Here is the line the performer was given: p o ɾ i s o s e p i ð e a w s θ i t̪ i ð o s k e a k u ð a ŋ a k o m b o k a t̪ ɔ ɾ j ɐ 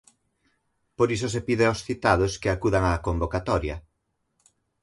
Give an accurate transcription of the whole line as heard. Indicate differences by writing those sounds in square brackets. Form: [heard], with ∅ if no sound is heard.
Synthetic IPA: p o ɾ i s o s e p i ð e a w s θ i t̪ [a] ð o s k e a k u ð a ŋ a k o m b o k a t̪ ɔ ɾ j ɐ